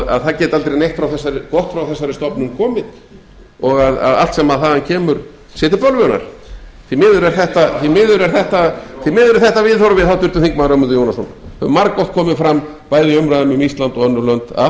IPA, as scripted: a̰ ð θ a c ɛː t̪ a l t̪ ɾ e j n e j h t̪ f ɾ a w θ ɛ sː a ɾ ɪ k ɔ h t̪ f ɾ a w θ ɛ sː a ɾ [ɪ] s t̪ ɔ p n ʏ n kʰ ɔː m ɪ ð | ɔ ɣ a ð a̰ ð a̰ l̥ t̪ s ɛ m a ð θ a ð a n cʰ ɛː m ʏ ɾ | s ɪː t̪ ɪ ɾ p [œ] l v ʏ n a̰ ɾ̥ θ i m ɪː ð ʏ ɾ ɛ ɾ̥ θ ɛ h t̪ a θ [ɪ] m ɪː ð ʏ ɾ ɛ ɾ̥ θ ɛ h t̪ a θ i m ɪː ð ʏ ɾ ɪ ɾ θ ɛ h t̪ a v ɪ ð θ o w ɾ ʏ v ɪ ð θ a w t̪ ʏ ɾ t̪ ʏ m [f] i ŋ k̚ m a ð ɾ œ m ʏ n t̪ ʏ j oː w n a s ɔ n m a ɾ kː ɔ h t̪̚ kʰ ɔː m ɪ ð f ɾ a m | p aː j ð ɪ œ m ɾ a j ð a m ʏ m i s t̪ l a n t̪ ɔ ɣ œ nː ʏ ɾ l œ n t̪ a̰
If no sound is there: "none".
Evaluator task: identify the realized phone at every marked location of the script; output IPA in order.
ɪ, œ, i, θ

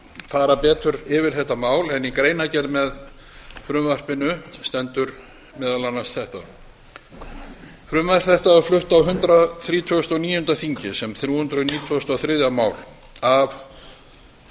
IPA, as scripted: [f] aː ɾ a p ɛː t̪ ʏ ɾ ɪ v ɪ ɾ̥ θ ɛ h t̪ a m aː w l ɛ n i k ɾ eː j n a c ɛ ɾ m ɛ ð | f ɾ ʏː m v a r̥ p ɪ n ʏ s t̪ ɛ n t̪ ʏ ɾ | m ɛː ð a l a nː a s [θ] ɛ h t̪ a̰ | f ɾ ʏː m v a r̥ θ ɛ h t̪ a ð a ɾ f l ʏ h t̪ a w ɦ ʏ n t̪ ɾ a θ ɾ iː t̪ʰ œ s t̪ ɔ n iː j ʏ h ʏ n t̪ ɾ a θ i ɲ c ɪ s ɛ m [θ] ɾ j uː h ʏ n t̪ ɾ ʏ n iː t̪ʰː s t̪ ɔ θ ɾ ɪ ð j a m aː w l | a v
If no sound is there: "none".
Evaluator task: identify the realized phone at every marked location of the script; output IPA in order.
f, θ, θ

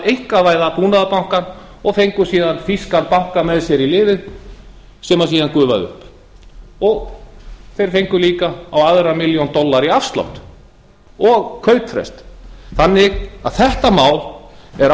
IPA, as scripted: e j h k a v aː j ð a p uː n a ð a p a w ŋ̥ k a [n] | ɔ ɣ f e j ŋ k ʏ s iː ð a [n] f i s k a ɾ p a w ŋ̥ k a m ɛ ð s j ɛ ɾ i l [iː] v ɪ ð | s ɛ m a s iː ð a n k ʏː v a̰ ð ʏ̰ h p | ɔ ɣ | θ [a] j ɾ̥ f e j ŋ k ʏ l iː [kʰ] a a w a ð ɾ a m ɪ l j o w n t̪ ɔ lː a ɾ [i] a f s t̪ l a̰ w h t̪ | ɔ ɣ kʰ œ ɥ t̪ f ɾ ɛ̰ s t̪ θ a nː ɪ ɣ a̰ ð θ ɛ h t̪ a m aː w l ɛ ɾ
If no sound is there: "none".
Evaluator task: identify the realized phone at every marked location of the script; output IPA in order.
n, n, ɪː, e, k, i

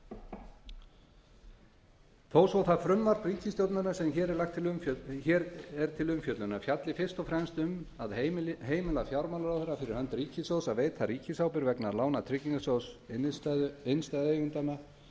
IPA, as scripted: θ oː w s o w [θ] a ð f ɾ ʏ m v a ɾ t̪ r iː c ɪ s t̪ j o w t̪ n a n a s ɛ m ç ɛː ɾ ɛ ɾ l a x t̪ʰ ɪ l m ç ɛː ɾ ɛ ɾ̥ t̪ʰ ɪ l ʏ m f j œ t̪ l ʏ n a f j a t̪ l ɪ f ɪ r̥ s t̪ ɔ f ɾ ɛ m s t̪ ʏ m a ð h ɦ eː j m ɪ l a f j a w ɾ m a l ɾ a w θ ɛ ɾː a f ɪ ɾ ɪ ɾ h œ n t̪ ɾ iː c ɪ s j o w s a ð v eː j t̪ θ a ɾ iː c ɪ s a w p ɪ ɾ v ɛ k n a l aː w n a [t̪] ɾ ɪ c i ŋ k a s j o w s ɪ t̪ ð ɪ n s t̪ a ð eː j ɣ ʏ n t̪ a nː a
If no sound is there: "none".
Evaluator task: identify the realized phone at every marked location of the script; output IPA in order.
θ, t̪ʰ

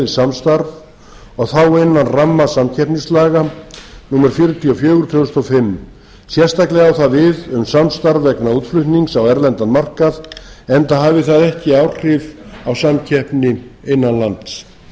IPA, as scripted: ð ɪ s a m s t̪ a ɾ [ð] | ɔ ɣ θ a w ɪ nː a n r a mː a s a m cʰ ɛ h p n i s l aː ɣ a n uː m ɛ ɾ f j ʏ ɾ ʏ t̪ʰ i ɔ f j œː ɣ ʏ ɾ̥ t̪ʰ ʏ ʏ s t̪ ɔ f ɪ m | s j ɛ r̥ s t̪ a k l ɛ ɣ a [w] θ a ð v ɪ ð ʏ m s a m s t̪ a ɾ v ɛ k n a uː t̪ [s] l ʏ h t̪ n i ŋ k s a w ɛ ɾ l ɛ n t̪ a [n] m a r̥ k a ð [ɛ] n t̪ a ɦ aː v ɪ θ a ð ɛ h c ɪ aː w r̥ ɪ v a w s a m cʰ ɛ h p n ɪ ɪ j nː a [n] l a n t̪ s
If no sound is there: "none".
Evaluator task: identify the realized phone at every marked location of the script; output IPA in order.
v, w, f, n, ɛ, n

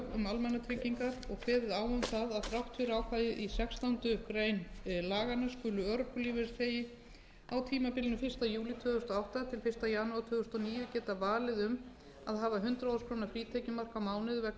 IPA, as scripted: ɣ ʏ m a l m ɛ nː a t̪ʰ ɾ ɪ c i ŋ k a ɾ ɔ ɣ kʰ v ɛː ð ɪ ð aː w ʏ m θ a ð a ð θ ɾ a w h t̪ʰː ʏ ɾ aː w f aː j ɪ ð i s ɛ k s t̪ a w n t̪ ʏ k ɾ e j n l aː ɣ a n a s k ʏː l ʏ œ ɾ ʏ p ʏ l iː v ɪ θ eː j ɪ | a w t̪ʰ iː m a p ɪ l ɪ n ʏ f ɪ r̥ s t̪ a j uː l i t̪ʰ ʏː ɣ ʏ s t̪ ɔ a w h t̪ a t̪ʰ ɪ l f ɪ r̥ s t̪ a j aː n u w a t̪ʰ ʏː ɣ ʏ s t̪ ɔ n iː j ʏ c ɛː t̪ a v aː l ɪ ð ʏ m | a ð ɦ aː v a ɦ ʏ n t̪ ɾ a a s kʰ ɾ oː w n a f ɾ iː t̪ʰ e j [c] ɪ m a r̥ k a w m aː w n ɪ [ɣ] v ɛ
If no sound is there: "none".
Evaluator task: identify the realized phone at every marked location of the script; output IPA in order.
c, ð

